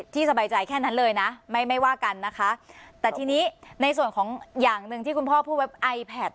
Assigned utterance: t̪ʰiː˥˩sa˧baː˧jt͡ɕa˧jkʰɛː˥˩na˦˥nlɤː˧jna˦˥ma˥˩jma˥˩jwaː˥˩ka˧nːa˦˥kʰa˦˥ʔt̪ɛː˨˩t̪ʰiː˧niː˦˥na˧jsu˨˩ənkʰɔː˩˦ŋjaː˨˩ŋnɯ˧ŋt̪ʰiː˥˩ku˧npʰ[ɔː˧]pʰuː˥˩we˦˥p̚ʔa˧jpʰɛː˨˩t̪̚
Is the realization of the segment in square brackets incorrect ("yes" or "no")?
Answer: yes